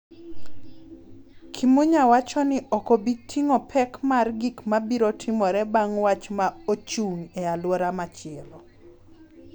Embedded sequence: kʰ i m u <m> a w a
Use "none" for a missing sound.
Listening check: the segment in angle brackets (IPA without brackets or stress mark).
ɲ